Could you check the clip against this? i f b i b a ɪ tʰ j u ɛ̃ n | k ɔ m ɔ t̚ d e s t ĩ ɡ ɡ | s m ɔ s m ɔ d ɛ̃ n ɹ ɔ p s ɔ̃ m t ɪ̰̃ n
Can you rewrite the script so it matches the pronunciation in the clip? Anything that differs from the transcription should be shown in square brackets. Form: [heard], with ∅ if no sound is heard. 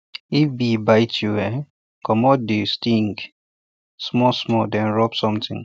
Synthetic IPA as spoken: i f b i b a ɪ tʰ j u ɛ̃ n | k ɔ m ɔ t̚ d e s t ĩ [ŋ] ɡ | s m ɔ s m ɔ d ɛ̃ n ɹ ɔ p s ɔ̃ m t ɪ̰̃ [ŋ]